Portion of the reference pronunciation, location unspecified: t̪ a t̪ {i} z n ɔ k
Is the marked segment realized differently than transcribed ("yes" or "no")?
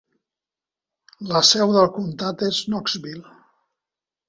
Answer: yes